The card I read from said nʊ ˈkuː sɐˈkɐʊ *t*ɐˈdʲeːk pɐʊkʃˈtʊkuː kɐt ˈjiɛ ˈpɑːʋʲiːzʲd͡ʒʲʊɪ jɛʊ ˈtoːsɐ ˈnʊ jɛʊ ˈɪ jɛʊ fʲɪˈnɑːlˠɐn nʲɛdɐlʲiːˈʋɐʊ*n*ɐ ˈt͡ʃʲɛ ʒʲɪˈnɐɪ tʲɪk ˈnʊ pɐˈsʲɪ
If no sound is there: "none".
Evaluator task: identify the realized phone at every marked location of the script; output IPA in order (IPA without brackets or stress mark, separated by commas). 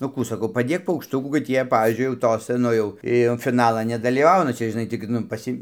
p, n